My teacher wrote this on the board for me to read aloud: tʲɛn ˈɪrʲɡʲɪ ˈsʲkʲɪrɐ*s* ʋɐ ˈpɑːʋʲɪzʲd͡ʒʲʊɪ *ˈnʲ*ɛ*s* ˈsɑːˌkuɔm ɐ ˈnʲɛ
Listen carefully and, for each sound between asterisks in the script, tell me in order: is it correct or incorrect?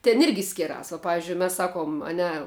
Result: correct, incorrect, correct

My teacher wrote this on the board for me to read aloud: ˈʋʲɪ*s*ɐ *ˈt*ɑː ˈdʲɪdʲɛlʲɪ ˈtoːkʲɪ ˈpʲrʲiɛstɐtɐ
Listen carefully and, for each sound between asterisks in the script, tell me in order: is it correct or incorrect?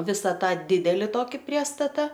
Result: correct, correct

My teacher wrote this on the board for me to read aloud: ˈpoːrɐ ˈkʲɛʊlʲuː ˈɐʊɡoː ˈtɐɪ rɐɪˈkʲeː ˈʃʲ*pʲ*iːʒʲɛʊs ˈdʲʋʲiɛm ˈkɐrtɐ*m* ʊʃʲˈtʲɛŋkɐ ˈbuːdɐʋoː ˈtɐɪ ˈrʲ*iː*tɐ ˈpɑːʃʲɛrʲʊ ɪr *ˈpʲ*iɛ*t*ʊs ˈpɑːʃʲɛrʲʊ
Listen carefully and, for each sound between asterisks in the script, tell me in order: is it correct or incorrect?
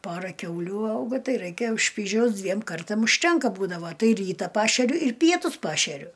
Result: correct, correct, correct, correct, correct

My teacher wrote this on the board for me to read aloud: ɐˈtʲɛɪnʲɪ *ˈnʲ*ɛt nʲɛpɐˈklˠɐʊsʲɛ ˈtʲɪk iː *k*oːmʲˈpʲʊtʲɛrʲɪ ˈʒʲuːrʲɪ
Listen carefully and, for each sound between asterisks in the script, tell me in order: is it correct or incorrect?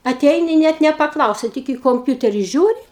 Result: correct, correct

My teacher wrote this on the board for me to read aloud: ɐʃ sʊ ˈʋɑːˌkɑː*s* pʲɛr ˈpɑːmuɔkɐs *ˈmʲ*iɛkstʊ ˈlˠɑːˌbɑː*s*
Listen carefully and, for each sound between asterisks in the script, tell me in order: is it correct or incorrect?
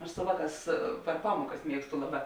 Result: correct, correct, incorrect

